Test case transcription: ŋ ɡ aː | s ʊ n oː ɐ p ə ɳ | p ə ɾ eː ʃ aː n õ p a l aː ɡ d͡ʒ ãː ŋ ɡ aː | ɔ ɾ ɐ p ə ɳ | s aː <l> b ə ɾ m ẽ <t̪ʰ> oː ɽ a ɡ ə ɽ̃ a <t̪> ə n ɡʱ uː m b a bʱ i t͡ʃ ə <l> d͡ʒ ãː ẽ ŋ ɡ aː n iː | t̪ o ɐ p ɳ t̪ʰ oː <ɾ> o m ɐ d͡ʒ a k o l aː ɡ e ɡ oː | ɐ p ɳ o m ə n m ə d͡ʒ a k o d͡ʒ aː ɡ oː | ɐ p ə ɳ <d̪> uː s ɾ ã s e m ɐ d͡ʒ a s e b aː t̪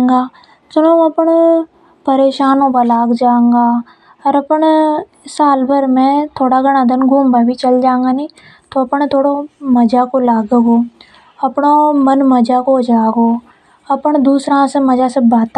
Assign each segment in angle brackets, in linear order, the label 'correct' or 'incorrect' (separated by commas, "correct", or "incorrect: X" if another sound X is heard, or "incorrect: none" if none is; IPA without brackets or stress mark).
correct, correct, incorrect: d̪, correct, incorrect: ɽ, correct